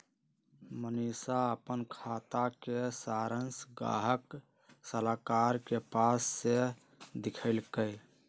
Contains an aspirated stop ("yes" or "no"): yes